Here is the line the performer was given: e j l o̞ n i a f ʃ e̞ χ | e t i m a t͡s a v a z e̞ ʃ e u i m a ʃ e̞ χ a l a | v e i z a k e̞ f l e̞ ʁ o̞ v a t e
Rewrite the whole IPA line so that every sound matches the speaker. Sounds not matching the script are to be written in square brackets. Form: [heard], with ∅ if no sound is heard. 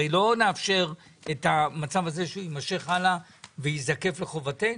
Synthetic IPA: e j l o̞ n [e] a f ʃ e̞ [ʁ] | e t [a] m a t͡s a v a z e̞ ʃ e u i m a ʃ e̞ χ a l a | v e i z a k e̞ f l e̞ [χ] o̞ v a t e